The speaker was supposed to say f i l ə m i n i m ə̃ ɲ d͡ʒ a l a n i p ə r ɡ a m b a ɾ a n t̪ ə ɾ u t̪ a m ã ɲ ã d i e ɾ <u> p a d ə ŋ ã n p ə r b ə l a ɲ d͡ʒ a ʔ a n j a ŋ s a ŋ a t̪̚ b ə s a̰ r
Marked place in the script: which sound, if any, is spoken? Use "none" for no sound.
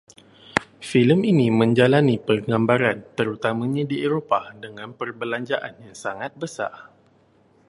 o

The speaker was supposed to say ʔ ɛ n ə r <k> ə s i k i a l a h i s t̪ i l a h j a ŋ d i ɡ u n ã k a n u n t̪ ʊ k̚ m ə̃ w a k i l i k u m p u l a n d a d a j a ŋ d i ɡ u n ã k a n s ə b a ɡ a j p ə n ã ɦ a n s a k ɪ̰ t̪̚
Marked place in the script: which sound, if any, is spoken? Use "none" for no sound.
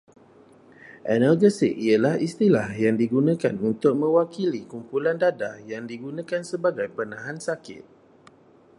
ɡ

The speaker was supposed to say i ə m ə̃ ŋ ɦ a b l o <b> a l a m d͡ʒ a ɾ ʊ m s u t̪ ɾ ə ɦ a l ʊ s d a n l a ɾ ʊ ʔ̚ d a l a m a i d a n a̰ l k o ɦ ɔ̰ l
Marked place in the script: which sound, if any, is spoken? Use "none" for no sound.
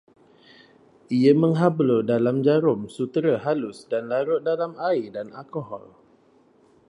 d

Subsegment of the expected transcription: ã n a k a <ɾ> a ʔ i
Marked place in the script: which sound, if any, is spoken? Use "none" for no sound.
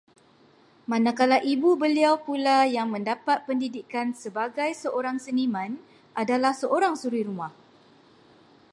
l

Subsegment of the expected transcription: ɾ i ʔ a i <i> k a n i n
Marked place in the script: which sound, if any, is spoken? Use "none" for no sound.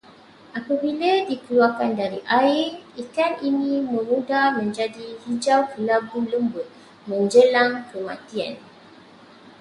i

